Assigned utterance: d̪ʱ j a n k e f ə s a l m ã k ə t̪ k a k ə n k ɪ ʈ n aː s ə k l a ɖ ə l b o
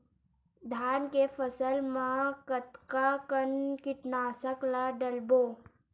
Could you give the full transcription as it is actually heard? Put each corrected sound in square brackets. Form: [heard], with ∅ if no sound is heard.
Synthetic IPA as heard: d̪ʱ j a n k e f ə s [ə] l m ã k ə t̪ k a k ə n k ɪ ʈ n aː s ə k l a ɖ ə l b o